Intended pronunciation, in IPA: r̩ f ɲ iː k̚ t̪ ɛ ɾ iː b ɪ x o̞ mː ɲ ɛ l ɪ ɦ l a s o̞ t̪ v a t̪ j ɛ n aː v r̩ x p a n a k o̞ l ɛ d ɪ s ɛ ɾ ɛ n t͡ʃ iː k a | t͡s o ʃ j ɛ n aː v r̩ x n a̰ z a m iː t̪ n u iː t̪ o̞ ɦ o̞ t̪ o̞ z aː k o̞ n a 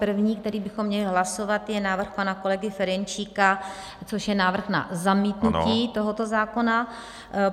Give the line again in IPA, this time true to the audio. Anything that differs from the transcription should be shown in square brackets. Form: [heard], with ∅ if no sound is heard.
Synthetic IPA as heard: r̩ [v] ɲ iː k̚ t̪ ɛ ɾ iː b ɪ x o̞ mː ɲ ɛ l ɪ ɦ l a s o̞ [∅] v a t̪ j ɛ n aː v r̩ x p a n a k o̞ l ɛ [ɡ] ɪ [f] ɛ ɾ ɛ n t͡ʃ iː k a | t͡s o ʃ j ɛ n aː v r̩ x n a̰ z a m iː t̪ n u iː t̪ o̞ ɦ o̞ t̪ o̞ z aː k o̞ n a